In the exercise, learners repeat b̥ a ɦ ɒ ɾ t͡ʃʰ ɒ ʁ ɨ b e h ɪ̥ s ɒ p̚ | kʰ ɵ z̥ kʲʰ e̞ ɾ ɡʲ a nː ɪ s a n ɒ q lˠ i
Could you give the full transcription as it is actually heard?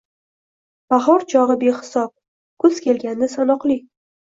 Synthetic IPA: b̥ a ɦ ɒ ɾ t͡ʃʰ ɒ ʁ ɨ b e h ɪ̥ s ɒ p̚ | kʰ ɵ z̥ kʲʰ e̞ l ɡʲ a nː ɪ s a n ɒ q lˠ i